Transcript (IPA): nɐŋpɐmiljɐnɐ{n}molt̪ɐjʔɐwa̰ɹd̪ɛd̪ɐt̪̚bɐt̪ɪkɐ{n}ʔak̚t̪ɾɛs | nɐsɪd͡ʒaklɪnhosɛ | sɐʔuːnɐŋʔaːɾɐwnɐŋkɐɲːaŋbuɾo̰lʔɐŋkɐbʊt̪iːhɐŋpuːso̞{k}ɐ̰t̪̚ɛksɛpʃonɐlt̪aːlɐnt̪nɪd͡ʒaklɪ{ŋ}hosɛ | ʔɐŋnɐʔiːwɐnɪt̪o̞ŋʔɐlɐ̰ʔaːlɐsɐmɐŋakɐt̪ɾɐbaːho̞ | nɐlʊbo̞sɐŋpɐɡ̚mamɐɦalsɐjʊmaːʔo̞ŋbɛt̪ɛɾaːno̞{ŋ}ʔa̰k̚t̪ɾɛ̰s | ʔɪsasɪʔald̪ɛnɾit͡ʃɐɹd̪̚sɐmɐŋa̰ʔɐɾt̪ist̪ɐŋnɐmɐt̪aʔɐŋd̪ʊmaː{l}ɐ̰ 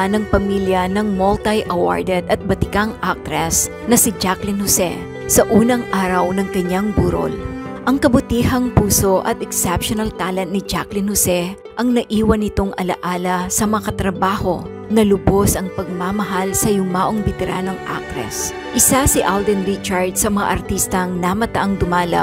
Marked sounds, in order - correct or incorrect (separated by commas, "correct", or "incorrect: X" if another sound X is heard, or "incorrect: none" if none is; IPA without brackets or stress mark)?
incorrect: ŋ, incorrect: ŋ, incorrect: ʔ, incorrect: n, correct, correct